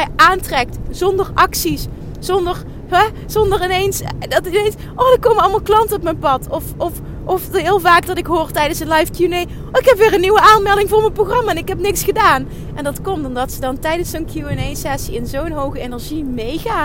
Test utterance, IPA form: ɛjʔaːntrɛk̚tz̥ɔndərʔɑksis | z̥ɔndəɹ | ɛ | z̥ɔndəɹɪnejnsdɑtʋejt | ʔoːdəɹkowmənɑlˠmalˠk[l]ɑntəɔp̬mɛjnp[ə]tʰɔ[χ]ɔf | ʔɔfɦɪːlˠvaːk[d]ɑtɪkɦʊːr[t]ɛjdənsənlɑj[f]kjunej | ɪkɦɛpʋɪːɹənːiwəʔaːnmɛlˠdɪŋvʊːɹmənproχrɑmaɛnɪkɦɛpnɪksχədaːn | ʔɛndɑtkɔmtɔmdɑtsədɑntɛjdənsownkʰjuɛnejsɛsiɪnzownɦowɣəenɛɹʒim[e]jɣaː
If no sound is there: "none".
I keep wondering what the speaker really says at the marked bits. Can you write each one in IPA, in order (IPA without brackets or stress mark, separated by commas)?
l, ɑ, f, d, t, f, e